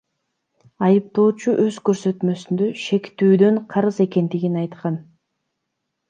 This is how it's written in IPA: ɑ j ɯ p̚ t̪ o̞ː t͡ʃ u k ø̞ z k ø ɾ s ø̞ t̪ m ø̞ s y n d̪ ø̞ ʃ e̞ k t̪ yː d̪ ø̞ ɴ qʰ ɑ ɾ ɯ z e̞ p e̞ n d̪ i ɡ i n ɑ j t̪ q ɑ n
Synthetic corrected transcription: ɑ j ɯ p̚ t̪ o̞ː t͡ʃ u ʔ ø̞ z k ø ɾ s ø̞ t̪ m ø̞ s y n d̪ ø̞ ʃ e̞ k t̪ yː d̪ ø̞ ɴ qʰ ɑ ɾ ɯ z e̞ k e̞ n d̪ i ɡ i n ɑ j t̪ q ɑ n